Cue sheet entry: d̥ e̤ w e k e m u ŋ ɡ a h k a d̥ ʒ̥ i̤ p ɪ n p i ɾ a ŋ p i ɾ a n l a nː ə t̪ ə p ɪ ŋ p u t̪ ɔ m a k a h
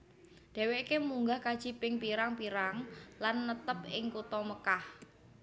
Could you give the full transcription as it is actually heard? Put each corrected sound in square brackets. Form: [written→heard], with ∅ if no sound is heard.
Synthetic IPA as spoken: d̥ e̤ w e k e m u ŋ ɡ a h k a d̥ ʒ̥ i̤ p ɪ [n→ŋ] p i ɾ a ŋ p i ɾ a [n→ŋ] l a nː ə t̪ ə p ɪ ŋ [p→k] u t̪ ɔ m [a→ə] k a h